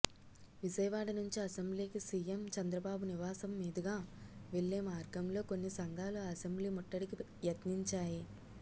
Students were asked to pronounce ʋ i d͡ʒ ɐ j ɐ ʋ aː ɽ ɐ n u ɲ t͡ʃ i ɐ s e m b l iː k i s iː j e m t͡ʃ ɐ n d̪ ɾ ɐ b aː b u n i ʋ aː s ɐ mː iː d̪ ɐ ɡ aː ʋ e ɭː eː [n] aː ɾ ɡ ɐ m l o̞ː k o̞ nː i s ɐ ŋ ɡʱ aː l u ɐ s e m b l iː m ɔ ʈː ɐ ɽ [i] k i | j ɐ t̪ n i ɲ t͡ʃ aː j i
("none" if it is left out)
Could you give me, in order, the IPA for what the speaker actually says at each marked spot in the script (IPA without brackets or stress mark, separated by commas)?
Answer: m, i